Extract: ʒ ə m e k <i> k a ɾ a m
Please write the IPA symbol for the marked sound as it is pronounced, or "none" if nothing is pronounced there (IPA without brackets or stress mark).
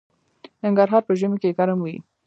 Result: e